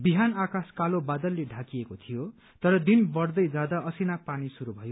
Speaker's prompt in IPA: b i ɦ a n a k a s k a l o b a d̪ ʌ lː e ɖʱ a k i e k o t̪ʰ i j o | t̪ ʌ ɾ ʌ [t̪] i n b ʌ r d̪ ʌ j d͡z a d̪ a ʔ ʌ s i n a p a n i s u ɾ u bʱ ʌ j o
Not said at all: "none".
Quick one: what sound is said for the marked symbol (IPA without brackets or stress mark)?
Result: d̪